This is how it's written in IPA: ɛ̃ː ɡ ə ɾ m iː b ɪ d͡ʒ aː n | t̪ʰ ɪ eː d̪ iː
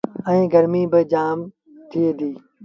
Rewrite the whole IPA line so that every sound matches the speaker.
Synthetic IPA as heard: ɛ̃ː ɡ ə ɾ m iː b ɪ d͡ʒ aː m | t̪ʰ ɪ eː d̪ iː